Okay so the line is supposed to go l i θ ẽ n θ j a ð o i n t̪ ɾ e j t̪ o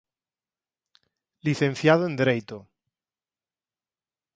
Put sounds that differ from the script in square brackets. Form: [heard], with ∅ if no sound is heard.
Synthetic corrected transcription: l i θ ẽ n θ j a ð o [e] n [d̪] ɾ e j t̪ o